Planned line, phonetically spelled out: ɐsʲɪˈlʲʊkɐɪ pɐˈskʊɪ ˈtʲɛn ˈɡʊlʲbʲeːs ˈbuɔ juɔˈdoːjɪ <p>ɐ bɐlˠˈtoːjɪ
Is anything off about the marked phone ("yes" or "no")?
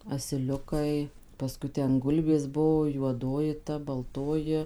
yes